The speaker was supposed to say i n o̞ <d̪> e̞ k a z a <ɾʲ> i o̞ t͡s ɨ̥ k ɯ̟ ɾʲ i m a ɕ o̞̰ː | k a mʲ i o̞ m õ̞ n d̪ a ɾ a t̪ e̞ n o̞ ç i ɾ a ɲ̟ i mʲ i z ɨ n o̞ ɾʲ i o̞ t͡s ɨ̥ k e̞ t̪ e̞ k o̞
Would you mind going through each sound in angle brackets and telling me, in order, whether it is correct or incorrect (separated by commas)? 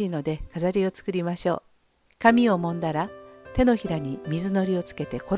correct, correct